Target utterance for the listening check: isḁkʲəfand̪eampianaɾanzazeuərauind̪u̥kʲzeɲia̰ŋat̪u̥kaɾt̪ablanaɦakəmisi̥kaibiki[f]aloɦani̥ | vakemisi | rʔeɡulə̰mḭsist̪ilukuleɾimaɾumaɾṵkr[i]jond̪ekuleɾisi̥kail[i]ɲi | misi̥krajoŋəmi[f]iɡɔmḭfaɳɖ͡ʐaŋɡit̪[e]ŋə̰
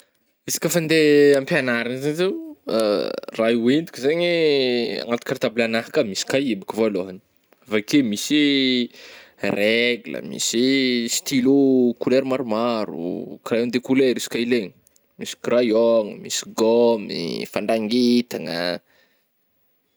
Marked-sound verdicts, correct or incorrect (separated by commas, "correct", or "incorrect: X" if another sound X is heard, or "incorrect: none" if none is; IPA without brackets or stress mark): incorrect: v, incorrect: a, incorrect: e, incorrect: s, incorrect: a